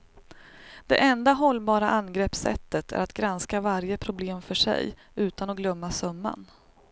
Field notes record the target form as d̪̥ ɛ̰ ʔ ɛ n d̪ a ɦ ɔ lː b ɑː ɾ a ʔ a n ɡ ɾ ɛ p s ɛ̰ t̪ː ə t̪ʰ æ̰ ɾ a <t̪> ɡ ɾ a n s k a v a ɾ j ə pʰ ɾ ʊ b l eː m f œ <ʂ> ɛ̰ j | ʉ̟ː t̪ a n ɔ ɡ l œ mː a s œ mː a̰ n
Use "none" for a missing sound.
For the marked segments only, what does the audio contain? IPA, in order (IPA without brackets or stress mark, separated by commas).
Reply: t̪, ʂ